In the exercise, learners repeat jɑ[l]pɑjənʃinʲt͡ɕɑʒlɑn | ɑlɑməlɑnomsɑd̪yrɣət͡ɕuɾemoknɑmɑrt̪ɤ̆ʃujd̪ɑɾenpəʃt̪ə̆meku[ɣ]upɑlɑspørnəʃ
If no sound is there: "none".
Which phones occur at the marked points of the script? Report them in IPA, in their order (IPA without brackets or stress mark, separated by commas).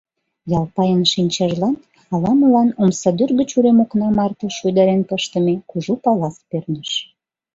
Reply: l, ʒ